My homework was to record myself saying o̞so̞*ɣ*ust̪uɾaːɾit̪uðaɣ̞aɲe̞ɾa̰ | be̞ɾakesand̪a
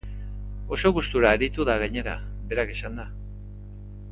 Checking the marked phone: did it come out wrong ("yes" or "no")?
no